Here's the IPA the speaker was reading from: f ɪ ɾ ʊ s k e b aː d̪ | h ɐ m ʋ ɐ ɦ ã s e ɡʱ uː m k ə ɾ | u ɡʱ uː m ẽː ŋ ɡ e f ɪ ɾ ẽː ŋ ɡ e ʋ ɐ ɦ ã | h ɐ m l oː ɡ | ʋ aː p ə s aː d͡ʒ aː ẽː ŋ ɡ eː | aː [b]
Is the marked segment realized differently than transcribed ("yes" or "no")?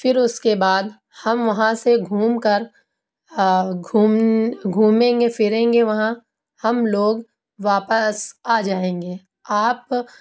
yes